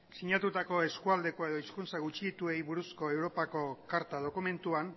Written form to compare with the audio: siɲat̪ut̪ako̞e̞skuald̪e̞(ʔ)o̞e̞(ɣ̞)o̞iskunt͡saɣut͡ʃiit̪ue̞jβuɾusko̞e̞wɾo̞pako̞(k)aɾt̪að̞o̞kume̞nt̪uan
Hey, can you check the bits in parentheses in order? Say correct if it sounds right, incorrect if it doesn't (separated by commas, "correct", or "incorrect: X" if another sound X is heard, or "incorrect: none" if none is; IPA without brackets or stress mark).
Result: incorrect: k, incorrect: ð̞, correct